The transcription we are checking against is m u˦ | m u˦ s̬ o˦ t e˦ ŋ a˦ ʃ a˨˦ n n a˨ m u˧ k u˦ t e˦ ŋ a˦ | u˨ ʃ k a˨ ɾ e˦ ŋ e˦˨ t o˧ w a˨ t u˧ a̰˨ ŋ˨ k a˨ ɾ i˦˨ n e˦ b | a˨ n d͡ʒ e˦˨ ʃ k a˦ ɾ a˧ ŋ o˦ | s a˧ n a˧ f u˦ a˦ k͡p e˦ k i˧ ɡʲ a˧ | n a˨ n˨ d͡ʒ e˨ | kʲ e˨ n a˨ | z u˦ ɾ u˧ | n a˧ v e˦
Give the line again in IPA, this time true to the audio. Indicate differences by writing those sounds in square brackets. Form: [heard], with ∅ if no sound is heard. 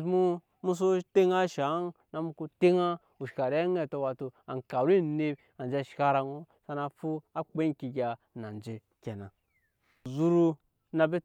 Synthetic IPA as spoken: m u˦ | m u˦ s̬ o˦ t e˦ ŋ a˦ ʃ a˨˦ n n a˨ m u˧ k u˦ t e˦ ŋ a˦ | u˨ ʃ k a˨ ɾ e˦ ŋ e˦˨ t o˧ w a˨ t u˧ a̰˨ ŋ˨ k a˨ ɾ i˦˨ n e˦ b | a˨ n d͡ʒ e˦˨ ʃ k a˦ ɾ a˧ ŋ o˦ | s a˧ n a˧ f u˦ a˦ k͡p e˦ k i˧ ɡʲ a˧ | n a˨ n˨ d͡ʒ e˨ | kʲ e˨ n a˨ | z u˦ ɾ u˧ | n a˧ [b] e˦